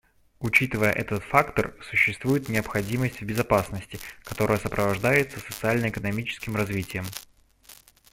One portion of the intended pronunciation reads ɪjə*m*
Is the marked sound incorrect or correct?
correct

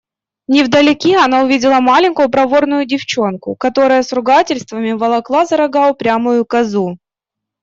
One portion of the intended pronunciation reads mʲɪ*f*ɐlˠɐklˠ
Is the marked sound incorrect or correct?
incorrect: v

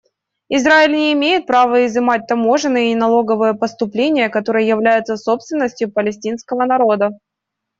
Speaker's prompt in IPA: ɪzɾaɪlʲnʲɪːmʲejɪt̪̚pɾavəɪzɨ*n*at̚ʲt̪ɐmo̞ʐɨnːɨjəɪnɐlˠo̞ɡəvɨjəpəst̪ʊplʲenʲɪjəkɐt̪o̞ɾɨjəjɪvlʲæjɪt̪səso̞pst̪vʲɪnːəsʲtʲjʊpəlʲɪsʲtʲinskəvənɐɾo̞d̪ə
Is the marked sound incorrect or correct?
incorrect: m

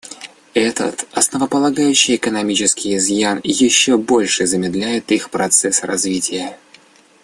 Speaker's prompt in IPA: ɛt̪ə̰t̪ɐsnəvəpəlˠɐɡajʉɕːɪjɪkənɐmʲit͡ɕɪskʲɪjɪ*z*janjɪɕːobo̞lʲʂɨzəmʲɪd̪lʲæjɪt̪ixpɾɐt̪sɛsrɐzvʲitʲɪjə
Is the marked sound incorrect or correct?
correct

